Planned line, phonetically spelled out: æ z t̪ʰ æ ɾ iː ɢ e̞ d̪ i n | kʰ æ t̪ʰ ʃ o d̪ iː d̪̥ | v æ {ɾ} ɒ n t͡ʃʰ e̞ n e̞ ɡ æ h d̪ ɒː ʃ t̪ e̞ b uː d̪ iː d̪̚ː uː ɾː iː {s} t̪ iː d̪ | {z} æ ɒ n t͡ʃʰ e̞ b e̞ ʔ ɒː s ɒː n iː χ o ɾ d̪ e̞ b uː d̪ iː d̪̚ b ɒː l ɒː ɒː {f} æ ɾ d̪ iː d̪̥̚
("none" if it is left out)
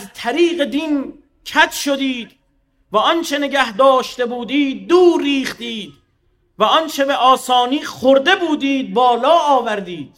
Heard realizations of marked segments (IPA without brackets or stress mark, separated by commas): none, χ, v, v